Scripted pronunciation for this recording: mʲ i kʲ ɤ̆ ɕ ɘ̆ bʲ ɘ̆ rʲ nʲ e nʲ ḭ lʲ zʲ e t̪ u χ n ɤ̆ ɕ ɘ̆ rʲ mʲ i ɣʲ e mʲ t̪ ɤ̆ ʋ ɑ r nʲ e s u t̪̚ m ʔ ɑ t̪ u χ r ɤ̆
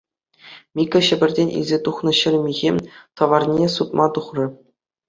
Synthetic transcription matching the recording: mʲ i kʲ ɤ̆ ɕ ɘ̆ bʲ ɘ̆ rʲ dʲ e nʲ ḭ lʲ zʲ e t̪ u χ n ɤ̆ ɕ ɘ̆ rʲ mʲ i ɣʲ e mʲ t̪ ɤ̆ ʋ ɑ r nʲ e s u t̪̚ m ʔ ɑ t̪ u χ r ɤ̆